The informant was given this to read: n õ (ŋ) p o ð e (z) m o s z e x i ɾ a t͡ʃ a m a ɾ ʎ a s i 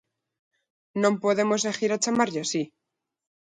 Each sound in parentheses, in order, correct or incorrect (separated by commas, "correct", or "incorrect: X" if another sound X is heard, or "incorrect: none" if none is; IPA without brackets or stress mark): incorrect: m, incorrect: none